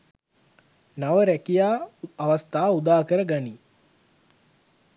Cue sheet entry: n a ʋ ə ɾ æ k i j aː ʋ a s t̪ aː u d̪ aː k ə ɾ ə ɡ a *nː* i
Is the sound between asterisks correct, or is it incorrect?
incorrect